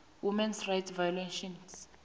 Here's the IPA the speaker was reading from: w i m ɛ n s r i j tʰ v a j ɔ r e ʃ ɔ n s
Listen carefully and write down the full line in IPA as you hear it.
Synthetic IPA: w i m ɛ n s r a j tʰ v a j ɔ l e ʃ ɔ n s